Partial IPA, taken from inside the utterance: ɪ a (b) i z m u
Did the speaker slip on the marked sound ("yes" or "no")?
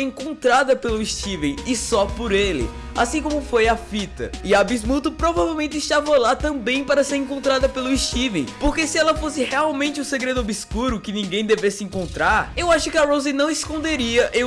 no